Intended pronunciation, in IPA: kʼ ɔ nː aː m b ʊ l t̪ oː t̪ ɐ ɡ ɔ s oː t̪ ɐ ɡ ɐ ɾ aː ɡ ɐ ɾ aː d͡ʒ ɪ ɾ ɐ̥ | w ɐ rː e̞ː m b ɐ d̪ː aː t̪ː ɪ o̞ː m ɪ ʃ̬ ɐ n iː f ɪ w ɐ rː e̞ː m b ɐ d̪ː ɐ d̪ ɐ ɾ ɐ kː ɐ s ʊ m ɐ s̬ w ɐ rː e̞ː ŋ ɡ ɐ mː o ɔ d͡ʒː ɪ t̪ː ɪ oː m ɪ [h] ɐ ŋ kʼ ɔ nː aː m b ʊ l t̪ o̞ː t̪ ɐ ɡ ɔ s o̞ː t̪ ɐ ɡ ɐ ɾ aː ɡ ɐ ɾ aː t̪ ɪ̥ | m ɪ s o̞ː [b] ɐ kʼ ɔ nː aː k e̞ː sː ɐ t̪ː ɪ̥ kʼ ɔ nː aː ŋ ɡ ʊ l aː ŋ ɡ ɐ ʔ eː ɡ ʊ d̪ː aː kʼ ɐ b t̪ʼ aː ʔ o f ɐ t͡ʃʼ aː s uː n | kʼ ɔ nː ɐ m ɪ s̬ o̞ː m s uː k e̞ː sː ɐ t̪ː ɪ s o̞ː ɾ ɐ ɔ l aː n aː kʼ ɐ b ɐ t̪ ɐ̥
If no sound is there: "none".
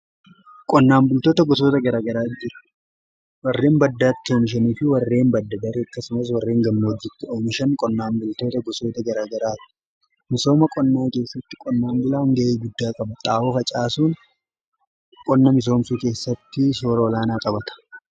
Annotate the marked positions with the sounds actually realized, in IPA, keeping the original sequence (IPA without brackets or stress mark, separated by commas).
ʃ, m